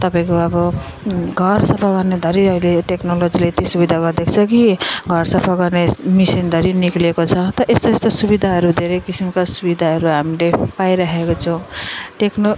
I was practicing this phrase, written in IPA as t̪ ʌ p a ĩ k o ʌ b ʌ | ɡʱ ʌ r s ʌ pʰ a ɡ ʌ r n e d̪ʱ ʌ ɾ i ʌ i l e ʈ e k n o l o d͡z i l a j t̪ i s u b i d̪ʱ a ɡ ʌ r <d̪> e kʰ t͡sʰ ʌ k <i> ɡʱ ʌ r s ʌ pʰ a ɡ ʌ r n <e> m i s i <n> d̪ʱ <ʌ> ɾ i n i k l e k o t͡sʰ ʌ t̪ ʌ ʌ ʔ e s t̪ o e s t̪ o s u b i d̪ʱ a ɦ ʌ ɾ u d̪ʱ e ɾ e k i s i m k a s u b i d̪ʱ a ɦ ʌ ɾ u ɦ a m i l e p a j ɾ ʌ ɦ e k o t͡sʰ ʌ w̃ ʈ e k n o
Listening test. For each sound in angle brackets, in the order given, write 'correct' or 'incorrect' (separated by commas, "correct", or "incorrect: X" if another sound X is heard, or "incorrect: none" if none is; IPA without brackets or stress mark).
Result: correct, correct, correct, correct, correct